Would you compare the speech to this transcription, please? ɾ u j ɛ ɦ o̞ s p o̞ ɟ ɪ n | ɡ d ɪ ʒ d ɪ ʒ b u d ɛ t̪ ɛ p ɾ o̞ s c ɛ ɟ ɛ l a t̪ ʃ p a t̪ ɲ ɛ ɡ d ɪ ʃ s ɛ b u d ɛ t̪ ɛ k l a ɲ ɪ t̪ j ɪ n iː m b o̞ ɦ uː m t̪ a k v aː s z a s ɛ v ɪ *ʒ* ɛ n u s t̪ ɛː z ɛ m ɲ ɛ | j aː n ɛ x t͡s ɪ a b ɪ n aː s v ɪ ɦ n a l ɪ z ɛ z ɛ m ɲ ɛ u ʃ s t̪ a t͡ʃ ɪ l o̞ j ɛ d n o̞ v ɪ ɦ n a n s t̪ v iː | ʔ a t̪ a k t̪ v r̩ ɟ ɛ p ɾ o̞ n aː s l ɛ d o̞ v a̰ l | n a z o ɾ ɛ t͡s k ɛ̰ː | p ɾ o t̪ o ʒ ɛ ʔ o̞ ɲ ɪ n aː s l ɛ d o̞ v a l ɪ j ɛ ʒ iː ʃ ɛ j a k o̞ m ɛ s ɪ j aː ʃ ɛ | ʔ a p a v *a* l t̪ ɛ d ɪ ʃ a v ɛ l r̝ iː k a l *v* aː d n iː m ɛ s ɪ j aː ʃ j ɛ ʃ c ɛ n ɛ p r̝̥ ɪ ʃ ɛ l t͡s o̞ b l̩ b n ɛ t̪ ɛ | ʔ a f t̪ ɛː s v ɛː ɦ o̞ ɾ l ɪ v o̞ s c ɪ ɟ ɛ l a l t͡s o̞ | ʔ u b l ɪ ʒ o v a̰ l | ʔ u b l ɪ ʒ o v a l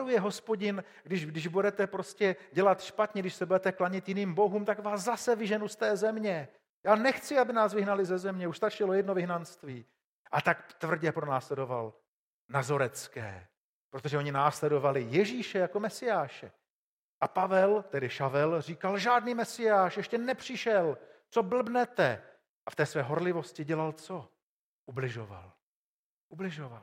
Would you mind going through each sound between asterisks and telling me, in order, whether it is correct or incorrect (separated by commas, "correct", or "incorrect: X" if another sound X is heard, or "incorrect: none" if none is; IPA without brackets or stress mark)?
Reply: correct, incorrect: ɛ, incorrect: ʒ